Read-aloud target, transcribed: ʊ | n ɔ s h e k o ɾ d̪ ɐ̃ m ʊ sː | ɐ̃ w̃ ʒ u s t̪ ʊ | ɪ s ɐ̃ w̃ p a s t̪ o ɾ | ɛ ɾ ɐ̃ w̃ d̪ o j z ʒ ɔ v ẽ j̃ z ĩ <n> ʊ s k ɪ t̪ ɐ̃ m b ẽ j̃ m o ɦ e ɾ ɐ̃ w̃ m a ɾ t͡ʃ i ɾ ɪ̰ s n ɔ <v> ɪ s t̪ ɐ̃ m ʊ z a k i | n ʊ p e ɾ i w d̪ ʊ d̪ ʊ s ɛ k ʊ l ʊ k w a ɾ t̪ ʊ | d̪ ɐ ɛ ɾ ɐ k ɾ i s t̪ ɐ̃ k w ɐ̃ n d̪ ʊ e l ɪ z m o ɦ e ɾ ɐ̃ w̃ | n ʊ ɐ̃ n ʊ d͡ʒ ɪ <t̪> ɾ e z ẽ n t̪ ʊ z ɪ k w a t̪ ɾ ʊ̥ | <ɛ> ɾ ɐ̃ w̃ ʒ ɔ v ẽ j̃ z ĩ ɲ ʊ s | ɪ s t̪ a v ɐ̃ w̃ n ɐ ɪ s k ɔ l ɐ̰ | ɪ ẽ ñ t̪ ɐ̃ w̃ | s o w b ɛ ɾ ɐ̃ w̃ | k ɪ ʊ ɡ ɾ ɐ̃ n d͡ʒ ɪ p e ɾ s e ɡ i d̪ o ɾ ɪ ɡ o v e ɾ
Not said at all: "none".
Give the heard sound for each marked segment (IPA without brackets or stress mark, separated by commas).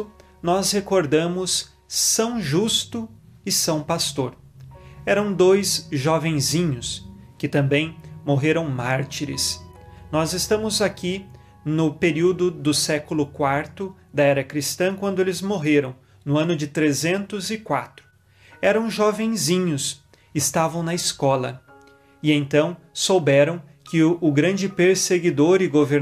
ɲ, z, t̪, ɛ